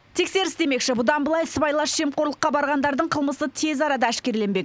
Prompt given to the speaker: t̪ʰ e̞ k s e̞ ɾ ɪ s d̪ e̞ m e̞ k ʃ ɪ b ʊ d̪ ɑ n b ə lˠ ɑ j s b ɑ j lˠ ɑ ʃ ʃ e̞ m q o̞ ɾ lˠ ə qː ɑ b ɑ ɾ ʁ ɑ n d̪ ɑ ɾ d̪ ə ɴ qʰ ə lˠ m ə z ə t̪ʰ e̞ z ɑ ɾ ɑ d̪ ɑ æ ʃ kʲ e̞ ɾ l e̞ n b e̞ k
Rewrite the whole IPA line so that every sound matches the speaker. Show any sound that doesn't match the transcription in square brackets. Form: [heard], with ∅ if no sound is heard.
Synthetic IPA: t̪ʰ e̞ k s e̞ ɾ ɪ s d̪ e̞ m e̞ k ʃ ɪ b ʊ d̪ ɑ n b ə lˠ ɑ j s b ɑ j lˠ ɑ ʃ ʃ e̞ m q o̞ ɾ lˠ ə qː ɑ b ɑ ɾ ʁ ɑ n d̪ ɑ ɾ d̪ ə ɴ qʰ ə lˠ m ə [s] ə t̪ʰ e̞ z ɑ ɾ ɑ d̪ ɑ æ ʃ kʲ e̞ ɾ l e̞ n b e̞ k